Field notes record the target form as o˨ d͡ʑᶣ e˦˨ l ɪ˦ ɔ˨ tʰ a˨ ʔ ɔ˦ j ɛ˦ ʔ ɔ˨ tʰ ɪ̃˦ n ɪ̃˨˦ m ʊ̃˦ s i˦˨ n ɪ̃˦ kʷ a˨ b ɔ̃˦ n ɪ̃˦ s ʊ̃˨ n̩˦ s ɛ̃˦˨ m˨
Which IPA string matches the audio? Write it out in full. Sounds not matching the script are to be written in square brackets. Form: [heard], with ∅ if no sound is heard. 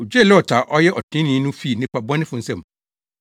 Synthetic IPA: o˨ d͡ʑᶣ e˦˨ l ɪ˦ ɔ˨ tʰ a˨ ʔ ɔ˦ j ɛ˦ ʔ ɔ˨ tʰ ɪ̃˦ n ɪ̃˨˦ [n] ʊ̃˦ [f] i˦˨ n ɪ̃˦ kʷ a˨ b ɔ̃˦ n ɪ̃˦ [f] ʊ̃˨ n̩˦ s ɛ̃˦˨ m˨